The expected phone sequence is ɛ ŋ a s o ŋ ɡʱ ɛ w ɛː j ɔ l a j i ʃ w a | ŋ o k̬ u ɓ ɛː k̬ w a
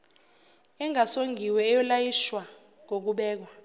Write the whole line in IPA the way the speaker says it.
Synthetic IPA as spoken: ɛ ŋ a s o ŋ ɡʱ i w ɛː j ɔ l a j i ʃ w a | ŋ o k̬ u ɓ ɛː k̬ w a